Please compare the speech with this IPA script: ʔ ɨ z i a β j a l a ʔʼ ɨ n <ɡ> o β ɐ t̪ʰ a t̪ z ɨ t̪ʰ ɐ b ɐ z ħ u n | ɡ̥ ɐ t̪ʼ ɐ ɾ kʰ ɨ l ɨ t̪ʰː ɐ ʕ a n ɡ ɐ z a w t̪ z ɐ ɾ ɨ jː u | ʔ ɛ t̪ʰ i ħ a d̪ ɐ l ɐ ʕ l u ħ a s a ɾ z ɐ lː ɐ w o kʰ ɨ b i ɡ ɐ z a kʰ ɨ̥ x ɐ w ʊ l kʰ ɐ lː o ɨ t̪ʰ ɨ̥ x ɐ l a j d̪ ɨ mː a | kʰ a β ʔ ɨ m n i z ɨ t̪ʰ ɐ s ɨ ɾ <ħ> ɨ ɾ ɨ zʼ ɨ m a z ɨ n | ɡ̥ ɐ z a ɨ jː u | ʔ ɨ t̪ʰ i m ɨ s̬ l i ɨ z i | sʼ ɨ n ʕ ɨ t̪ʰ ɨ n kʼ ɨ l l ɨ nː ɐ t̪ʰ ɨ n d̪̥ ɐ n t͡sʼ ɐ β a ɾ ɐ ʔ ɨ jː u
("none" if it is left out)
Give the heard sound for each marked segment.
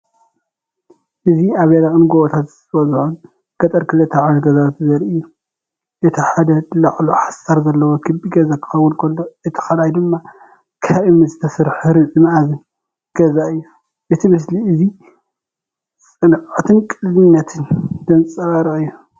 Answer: ɡ, ħ

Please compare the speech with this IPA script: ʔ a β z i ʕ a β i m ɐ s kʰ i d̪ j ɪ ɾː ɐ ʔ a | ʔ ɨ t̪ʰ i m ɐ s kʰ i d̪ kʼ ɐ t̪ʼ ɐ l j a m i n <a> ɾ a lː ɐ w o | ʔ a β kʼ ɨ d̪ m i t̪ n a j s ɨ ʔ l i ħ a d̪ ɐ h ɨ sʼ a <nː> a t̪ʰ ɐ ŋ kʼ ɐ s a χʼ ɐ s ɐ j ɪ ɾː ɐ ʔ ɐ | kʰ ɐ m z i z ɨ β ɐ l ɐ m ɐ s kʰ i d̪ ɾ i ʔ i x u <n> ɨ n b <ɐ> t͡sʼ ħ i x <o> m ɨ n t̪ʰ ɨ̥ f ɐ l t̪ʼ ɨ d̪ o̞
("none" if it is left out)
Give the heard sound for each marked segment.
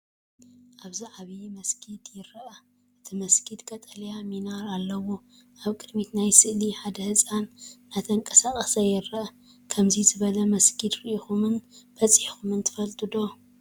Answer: a, nː, m, ɐ, u

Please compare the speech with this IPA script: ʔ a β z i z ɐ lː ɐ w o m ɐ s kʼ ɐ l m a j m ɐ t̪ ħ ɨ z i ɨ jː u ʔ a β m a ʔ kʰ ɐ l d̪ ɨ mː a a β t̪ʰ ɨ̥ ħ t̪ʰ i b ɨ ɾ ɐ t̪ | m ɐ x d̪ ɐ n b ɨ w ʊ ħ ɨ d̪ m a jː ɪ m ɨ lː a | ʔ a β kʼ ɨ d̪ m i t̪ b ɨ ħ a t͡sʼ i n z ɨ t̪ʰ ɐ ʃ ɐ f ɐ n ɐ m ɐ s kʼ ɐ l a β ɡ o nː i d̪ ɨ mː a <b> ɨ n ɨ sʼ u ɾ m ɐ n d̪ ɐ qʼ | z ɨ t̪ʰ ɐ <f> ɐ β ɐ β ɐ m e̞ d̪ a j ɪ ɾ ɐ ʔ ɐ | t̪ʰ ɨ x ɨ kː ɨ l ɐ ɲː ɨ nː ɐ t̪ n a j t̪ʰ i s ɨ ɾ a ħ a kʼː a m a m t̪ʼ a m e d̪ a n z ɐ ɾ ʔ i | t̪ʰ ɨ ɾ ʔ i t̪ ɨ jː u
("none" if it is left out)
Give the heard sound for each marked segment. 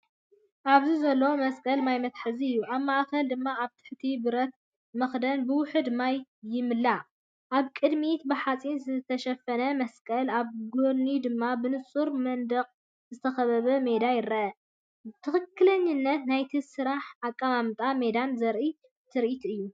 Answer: b, x

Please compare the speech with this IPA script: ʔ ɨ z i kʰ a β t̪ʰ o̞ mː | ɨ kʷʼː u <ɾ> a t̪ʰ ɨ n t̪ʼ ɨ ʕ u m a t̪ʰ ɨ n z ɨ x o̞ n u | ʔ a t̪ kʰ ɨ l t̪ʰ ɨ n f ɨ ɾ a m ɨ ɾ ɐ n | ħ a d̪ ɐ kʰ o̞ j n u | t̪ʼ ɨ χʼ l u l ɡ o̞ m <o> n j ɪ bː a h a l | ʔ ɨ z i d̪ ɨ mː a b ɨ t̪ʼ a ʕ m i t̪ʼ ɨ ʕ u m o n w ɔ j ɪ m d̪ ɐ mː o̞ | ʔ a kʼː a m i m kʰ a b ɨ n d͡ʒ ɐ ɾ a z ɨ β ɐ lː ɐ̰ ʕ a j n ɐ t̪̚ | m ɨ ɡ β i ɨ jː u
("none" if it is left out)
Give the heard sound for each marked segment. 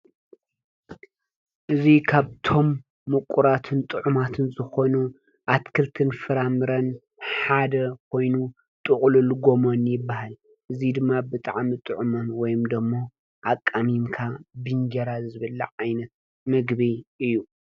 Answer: ɾ, o

